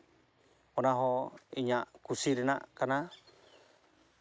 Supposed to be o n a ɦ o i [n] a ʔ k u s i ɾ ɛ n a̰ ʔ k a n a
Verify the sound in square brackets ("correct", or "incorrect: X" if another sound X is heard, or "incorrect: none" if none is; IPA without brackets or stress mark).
incorrect: ɲ